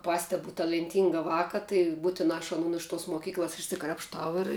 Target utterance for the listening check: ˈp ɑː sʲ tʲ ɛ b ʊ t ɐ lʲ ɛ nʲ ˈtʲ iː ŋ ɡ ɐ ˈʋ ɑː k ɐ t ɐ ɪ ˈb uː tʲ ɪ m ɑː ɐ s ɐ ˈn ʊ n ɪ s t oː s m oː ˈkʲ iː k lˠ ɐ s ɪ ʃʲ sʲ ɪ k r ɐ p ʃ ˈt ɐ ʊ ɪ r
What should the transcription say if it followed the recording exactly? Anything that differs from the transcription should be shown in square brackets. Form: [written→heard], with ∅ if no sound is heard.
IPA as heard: ˈp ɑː sʲ tʲ ɛ b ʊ t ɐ lʲ ɛ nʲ ˈtʲ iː ŋ ɡ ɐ ˈʋ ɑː k ɐ t ɐ ɪ ˈb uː tʲ ɪ [m→n] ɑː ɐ [s→ʃ] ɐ ˈn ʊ n ɪ [s→ʃ] t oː s m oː ˈkʲ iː k lˠ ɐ s ɪ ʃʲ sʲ ɪ k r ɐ p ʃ ˈt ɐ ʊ ɪ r